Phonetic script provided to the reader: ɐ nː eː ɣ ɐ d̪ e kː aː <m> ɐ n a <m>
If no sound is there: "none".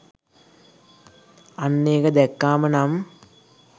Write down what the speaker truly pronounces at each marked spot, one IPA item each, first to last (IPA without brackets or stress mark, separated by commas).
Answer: m, m